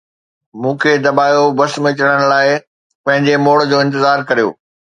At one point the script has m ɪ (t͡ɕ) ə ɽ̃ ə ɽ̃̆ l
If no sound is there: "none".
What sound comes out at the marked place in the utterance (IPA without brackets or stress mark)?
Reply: t͡ɕ